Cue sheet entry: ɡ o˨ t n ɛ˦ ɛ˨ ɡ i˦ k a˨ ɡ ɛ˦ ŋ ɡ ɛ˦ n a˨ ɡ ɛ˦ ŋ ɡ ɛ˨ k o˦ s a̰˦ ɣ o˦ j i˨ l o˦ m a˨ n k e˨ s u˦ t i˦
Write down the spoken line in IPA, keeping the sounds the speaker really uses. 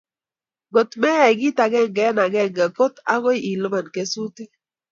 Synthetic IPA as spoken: ɡ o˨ t m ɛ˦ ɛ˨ ɡ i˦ t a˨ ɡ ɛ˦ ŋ ɡ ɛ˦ n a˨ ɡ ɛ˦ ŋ ɡ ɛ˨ k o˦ t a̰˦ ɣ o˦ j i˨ l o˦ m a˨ n k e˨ s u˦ t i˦